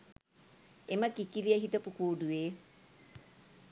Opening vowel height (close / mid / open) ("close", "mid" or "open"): mid